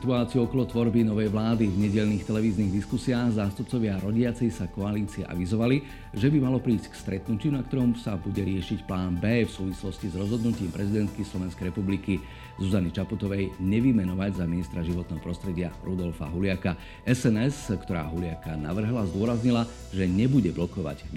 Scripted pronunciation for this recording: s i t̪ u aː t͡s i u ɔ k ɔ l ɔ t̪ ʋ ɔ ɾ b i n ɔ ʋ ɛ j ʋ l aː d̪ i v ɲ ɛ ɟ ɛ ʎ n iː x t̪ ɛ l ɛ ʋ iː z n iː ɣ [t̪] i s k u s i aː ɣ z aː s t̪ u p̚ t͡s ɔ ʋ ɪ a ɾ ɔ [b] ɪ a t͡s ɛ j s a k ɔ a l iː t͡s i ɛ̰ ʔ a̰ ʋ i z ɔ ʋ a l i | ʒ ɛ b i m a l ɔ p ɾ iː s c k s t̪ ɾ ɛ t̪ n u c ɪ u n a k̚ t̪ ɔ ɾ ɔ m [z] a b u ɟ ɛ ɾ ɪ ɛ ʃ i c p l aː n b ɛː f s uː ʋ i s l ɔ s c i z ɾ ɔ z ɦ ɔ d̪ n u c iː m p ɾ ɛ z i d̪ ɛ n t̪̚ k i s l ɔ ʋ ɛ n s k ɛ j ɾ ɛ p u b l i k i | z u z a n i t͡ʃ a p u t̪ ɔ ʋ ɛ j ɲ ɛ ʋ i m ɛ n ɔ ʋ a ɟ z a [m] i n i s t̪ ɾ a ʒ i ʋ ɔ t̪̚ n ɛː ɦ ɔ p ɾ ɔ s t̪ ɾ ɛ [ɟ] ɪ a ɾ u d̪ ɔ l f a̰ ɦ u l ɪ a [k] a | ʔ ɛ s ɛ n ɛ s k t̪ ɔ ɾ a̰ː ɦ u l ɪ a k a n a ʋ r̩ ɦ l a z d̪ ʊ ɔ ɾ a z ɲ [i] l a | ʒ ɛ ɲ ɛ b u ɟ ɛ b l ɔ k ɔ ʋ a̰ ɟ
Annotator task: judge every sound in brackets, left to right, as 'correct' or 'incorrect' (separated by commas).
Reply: incorrect, incorrect, incorrect, correct, correct, correct, correct